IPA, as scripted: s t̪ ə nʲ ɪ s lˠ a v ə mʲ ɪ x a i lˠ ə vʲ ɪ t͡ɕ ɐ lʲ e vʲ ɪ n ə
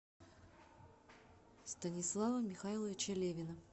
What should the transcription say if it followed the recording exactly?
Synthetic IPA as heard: s t̪ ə nʲ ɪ s lˠ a v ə mʲ ɪ x a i lˠ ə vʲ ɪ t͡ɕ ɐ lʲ e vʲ ɪ n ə